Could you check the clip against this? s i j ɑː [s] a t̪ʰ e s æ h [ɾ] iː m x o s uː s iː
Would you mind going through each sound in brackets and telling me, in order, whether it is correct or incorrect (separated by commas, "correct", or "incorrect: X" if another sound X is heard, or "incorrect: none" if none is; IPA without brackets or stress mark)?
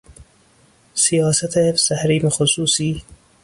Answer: correct, correct